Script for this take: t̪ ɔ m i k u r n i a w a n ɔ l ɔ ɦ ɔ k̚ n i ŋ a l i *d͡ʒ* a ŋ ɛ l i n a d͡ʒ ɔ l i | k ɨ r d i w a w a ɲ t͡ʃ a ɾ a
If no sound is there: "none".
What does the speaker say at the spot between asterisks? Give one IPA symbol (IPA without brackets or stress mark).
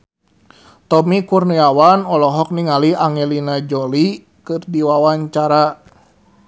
none